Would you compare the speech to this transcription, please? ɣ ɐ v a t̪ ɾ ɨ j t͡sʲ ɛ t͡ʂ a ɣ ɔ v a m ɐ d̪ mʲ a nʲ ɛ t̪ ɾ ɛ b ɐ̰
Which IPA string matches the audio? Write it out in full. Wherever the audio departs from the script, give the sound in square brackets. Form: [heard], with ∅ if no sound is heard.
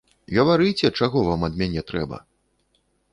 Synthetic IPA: ɣ ɐ v a [∅] ɾ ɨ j t͡sʲ ɛ t͡ʂ a ɣ ɔ v a m ɐ d̪ mʲ a nʲ ɛ t̪ ɾ ɛ b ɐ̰

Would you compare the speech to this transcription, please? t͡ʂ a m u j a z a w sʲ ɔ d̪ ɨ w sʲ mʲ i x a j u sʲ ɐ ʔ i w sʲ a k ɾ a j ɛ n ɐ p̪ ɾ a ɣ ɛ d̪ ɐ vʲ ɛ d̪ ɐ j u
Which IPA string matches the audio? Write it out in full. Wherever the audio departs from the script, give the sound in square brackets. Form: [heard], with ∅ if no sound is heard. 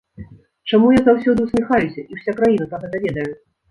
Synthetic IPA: t͡ʂ a m u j a z a w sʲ ɔ d̪ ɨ w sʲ mʲ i x a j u sʲ ɐ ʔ i w sʲ a k ɾ a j [i] n ɐ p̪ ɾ a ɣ ɛ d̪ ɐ vʲ ɛ d̪ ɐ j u

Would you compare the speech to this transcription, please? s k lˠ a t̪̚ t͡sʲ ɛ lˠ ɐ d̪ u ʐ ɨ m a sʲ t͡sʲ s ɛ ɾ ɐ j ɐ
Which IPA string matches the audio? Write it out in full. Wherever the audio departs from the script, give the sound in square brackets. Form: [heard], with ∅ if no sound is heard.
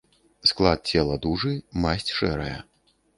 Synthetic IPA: s k lˠ a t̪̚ t͡sʲ ɛ lˠ ɐ d̪ u ʐ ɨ m a sʲ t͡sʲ [ʂ] ɛ ɾ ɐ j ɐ

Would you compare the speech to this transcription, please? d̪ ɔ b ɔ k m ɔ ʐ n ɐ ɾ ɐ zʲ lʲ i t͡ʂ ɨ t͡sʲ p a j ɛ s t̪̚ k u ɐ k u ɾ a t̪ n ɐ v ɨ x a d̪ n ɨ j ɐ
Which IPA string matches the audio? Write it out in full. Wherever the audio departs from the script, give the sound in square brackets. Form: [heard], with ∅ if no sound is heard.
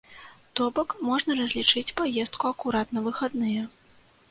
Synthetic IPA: [t̪] ɔ b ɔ k m ɔ ʐ n ɐ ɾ ɐ zʲ lʲ i t͡ʂ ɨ t͡sʲ p a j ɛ s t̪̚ k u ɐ k u ɾ a t̪ n ɐ v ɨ x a d̪ n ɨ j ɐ

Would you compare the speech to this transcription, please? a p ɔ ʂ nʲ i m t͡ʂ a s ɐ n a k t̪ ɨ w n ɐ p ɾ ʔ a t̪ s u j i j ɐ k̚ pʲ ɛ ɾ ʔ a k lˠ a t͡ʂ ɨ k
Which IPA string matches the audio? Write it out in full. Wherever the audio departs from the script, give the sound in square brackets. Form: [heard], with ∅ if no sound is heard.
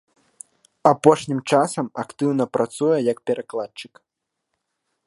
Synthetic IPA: a p ɔ ʂ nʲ i m t͡ʂ a s ɐ [m] a k t̪ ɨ w n ɐ p ɾ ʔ a t̪ s u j [ɛ] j ɐ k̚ pʲ ɛ ɾ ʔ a k lˠ a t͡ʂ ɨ k

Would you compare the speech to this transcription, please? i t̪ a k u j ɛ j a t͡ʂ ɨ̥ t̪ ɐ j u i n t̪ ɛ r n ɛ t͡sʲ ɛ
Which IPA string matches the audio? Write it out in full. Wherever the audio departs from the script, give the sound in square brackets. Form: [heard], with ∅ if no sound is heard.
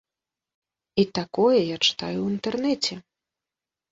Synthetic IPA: i t̪ a k [ɔ] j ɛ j a t͡ʂ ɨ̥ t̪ [a] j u i n t̪ ɛ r n ɛ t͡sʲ ɛ

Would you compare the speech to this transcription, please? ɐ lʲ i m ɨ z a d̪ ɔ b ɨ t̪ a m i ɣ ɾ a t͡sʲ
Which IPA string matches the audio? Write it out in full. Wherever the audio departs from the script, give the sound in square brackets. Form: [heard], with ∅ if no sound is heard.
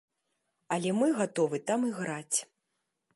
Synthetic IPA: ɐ lʲ [ɛ] m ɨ [ɣ] a [t̪] ɔ [v] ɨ t̪ a m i ɣ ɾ a t͡sʲ

